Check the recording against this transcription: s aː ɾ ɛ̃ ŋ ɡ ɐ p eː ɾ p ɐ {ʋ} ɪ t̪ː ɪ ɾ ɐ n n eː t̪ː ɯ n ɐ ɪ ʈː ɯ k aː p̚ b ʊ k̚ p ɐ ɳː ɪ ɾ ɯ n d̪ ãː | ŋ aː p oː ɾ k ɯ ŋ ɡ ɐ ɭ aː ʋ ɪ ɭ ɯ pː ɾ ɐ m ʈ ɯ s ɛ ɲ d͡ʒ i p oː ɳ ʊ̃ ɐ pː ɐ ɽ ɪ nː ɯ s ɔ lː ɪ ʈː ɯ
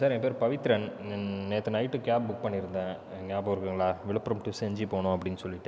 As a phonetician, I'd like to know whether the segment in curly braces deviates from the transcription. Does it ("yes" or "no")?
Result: no